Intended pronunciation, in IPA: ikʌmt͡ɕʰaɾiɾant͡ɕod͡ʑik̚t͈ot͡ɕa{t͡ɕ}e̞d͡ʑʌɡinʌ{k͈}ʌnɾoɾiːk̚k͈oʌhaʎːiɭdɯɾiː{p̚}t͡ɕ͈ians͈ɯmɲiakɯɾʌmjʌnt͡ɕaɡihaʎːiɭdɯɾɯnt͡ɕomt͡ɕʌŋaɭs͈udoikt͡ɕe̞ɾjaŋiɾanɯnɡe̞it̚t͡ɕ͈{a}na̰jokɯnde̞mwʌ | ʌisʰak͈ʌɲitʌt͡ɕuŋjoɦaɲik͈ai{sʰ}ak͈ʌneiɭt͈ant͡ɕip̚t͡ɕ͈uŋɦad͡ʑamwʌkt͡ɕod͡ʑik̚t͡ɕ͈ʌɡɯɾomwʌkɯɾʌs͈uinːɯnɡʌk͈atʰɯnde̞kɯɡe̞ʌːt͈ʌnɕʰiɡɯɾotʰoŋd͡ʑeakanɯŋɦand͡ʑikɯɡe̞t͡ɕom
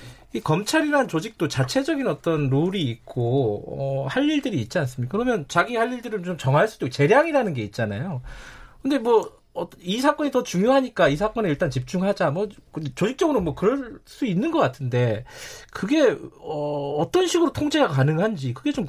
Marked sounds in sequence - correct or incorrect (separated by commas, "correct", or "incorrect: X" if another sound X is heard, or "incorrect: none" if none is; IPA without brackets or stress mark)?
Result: incorrect: t͡ɕʰ, incorrect: t͈, incorrect: t̚, correct, correct